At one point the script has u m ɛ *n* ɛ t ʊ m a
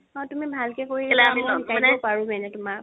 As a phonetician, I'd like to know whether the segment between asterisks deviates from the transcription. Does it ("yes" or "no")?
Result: no